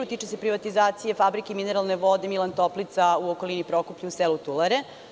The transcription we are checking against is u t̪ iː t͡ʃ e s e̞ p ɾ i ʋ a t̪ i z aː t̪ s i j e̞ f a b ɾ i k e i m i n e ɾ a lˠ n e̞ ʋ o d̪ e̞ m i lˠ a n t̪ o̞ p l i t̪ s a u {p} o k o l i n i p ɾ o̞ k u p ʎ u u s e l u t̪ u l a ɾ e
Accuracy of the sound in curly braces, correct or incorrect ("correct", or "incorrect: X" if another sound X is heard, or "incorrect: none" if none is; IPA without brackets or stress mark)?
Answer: incorrect: none